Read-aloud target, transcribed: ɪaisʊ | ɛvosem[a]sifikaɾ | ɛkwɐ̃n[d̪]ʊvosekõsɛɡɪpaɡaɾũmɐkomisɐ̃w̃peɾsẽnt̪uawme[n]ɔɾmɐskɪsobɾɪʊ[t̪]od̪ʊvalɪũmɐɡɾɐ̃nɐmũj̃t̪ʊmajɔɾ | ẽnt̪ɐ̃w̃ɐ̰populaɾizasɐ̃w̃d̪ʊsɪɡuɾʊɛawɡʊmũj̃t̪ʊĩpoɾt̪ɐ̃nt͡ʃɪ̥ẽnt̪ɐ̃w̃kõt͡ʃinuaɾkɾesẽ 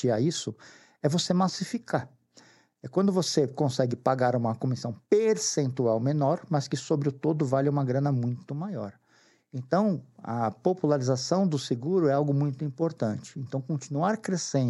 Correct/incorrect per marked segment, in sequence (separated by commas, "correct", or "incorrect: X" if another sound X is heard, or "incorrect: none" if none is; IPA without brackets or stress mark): correct, correct, correct, correct